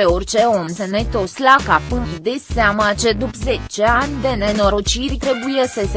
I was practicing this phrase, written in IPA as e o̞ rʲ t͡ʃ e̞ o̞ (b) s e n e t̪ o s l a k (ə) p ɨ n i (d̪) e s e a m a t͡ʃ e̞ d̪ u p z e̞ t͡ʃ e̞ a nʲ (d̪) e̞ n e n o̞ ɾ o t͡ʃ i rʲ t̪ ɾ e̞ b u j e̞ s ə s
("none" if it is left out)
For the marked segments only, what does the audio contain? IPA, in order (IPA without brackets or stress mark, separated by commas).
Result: m, a, d̪, d̪